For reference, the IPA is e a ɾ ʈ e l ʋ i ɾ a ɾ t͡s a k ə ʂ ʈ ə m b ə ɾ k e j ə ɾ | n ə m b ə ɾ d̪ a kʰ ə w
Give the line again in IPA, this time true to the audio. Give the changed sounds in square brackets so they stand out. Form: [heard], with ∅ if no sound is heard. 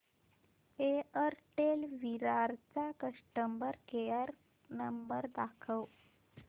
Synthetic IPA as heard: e [ə] ɾ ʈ e l ʋ i ɾ a ɾ t͡s a k ə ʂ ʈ ə m b ə ɾ k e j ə ɾ | n ə m b ə ɾ d̪ a kʰ ə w